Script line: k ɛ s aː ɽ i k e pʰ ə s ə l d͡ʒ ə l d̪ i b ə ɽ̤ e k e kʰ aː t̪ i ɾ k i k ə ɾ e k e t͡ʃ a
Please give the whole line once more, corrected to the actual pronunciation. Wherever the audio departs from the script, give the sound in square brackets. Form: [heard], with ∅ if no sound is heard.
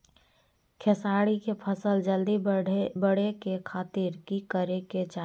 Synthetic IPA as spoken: [kʰ] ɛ s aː ɽ i k e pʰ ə s ə l d͡ʒ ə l d̪ i b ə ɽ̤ e k e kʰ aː t̪ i ɾ k i k ə ɾ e k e t͡ʃ a